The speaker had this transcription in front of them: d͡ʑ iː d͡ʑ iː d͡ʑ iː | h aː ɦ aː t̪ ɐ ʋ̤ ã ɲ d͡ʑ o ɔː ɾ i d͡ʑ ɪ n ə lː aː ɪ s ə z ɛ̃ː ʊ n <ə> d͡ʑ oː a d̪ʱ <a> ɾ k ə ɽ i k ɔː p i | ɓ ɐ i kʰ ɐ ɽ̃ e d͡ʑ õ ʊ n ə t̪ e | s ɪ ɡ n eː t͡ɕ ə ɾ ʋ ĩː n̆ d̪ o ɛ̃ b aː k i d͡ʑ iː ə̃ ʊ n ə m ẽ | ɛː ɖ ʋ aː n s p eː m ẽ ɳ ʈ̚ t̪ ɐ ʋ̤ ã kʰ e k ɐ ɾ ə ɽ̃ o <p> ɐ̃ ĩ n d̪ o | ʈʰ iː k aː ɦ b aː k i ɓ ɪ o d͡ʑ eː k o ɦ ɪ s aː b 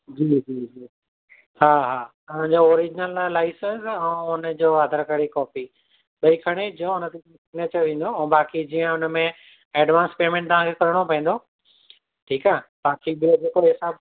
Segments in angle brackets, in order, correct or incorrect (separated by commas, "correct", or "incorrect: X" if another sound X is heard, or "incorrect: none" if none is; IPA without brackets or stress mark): correct, incorrect: ə, correct